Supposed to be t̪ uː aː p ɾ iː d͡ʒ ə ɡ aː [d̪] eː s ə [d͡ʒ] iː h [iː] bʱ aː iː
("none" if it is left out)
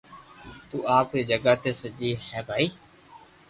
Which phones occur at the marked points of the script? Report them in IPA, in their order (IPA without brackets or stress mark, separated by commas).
t̪, d͡ʒ, ɛː